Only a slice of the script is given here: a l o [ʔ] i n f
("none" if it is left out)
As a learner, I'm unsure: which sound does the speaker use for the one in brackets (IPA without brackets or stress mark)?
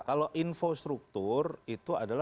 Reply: ʔ